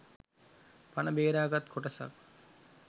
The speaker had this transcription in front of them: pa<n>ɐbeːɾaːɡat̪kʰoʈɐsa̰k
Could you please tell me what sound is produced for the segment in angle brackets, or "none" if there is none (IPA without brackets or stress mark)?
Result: n